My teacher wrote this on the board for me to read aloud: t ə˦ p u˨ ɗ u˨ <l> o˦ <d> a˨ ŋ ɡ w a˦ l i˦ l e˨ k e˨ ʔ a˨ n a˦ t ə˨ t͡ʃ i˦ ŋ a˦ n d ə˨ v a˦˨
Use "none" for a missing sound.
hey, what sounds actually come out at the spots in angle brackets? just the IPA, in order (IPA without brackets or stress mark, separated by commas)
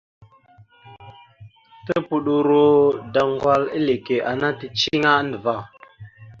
ɾ, d